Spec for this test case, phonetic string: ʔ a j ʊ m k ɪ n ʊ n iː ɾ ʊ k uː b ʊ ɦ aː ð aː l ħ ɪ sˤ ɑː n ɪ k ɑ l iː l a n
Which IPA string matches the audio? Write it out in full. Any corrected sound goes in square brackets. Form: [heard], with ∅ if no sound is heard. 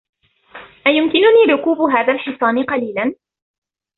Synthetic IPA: ʔ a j ʊ m k ɪ n ʊ n iː ɾ ʊ k uː b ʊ ɦ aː ð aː l ħ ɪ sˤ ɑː n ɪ [q] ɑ l iː l a n